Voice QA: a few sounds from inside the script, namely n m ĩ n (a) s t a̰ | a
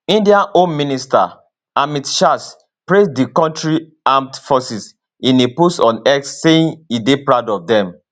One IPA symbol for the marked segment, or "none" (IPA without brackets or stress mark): i